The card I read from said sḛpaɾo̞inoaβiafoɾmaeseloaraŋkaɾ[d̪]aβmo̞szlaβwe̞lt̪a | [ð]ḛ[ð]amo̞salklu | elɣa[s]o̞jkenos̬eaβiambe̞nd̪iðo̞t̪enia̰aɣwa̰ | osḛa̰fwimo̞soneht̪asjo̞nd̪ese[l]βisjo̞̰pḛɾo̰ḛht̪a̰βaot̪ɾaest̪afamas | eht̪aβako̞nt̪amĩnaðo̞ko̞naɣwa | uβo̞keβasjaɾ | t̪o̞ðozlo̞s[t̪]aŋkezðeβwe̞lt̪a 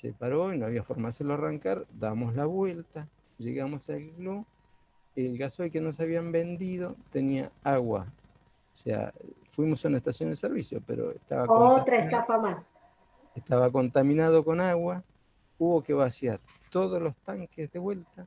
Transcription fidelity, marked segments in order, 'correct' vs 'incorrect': correct, incorrect: ʒ, incorrect: ɣ, correct, incorrect: ɾ, correct

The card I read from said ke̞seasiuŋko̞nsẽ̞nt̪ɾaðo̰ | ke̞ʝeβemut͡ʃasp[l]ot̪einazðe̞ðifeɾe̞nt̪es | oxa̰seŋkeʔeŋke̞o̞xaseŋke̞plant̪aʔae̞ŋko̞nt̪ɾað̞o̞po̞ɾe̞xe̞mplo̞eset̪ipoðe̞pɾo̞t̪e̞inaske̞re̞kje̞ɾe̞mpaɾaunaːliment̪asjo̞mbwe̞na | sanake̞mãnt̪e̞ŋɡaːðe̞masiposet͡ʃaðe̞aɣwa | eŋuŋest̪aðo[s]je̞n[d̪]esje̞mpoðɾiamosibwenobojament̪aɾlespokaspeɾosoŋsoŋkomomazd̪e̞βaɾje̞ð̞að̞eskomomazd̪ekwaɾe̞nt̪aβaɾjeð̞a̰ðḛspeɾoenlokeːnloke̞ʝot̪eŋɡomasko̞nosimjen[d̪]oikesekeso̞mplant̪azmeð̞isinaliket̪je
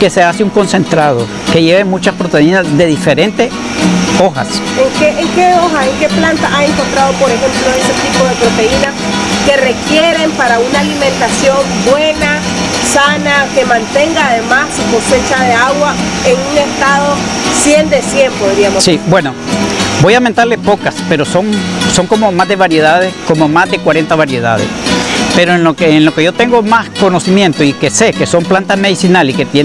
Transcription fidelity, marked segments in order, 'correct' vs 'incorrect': incorrect: ɾ, correct, correct, incorrect: t̪

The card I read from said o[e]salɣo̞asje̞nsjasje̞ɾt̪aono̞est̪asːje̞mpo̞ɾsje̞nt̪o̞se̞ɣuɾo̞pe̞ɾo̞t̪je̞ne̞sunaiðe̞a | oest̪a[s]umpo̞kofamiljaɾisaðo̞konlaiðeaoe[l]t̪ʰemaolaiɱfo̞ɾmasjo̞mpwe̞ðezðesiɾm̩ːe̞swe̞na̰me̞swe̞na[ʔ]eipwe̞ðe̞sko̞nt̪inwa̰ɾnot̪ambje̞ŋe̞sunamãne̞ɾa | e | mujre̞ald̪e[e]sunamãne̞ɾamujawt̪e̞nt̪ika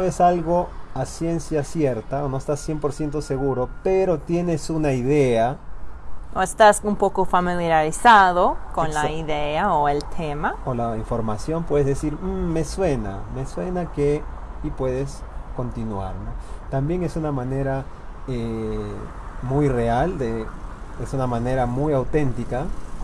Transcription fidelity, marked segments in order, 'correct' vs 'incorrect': correct, correct, correct, incorrect: k, correct

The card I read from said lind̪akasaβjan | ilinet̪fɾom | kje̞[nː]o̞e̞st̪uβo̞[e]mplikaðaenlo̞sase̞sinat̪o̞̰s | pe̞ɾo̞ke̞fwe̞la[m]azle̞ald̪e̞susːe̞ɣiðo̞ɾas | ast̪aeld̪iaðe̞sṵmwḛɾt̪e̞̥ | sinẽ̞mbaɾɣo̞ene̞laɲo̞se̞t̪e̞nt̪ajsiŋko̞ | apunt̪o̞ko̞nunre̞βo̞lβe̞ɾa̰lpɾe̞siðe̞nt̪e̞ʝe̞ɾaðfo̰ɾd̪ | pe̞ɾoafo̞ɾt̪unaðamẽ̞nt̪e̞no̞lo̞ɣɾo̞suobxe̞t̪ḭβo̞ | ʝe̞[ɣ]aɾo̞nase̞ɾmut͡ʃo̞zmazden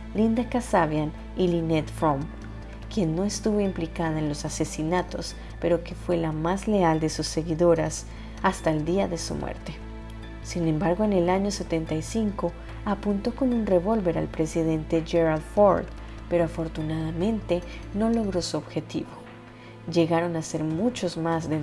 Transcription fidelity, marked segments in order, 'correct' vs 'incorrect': correct, incorrect: i, correct, correct

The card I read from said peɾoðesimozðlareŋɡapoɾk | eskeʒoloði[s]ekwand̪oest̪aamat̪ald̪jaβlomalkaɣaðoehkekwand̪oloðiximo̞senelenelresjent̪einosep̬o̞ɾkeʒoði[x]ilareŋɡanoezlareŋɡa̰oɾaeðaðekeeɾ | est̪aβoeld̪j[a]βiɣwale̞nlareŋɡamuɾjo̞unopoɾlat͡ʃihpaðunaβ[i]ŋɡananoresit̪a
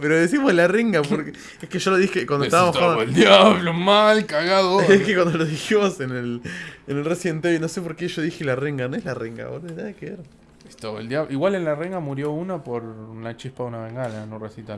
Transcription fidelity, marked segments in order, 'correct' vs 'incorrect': incorrect: x, correct, correct, incorrect: e

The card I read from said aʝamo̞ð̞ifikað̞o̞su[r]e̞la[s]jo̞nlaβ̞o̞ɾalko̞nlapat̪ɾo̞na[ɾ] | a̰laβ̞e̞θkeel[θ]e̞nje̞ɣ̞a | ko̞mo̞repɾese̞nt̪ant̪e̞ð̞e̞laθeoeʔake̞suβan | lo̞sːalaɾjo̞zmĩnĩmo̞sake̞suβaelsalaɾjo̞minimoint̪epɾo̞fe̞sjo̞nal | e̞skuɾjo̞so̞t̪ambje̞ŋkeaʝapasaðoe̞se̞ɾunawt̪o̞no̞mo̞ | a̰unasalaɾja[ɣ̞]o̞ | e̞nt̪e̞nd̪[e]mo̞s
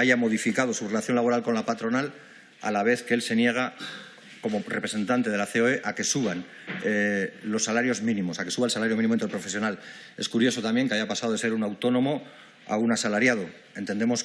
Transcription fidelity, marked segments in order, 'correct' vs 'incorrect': correct, incorrect: θ, incorrect: l, incorrect: s, incorrect: ð̞, correct

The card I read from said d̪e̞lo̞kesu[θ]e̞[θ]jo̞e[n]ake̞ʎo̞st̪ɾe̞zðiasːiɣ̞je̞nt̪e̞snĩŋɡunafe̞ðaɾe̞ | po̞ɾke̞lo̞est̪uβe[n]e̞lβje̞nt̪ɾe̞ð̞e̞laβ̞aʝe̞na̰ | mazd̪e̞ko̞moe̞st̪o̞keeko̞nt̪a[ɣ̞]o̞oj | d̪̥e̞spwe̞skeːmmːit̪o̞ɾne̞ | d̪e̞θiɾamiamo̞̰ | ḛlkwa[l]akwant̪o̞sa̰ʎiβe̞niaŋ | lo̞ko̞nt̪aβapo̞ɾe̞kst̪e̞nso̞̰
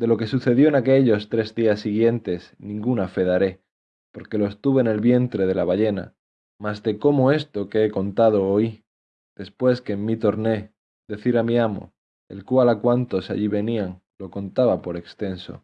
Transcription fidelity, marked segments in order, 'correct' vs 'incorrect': correct, incorrect: ð, correct, correct, incorrect: ð̞, correct

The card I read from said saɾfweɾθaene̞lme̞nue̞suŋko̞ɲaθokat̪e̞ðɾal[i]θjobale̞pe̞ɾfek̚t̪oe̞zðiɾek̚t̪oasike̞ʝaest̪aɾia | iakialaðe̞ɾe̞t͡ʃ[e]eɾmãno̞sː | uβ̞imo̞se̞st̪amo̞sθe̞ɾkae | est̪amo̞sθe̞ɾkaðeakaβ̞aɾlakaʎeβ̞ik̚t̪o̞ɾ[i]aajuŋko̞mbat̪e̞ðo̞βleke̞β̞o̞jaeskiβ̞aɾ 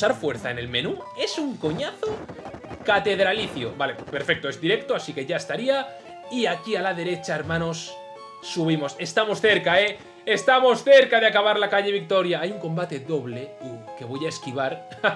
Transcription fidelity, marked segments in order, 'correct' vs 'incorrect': correct, incorrect: a, incorrect: j

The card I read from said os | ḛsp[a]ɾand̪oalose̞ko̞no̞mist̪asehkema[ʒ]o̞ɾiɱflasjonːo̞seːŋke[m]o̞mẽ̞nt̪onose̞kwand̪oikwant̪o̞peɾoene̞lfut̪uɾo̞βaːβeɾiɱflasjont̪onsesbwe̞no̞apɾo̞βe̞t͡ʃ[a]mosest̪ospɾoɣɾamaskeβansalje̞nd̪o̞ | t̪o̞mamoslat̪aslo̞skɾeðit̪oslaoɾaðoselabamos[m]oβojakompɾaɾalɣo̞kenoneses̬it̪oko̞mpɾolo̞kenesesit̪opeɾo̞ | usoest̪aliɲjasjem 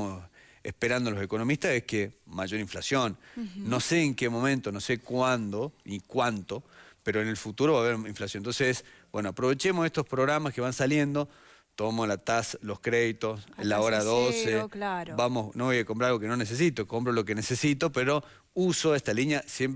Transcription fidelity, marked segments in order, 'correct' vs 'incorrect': incorrect: e, correct, correct, incorrect: e, incorrect: n

